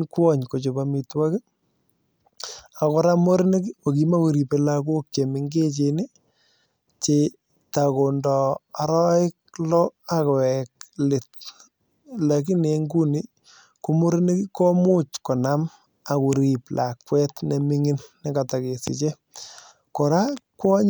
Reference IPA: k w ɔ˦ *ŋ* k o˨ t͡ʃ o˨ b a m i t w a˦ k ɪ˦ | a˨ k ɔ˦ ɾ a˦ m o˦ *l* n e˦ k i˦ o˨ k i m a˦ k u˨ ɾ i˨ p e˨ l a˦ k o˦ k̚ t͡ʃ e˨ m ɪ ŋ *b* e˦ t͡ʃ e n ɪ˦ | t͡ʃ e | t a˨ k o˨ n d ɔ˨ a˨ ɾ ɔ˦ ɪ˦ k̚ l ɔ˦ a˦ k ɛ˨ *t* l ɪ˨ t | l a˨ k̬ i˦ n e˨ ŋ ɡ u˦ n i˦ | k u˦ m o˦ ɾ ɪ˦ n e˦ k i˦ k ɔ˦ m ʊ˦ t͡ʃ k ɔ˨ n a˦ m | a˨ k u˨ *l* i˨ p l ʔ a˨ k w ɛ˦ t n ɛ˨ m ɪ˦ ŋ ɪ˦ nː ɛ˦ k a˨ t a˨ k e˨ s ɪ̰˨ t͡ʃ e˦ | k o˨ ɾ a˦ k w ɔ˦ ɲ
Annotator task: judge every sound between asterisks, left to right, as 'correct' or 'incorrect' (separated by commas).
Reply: incorrect, incorrect, incorrect, incorrect, incorrect